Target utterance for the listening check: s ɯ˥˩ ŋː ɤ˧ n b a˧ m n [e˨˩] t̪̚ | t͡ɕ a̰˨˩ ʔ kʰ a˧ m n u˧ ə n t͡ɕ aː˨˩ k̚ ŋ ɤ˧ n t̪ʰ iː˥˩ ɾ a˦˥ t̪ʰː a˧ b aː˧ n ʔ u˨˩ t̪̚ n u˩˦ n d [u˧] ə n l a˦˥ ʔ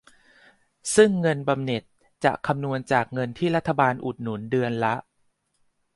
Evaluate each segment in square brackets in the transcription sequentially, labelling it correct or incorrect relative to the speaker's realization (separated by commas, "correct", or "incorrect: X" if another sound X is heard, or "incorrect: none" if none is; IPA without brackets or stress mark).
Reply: correct, incorrect: ɯ˧